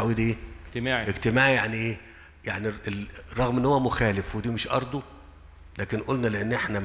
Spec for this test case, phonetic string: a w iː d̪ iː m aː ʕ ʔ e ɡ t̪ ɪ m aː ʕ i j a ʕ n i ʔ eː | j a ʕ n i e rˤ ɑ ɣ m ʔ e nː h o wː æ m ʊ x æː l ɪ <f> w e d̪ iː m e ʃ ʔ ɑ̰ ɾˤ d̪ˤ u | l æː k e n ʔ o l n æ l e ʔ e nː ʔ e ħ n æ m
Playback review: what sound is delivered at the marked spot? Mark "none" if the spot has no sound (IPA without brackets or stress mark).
f